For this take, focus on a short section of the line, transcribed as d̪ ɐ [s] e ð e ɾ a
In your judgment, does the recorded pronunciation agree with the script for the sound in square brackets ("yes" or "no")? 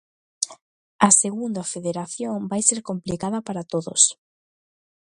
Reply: no